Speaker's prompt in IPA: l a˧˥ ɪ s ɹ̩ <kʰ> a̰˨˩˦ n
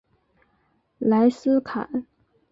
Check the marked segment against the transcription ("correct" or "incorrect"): correct